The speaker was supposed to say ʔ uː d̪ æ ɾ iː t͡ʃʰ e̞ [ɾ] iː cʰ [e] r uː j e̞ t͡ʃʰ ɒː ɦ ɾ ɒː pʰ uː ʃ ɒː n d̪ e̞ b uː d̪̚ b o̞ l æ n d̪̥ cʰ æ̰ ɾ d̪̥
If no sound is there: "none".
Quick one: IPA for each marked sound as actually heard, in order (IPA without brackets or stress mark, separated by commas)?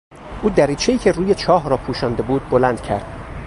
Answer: none, e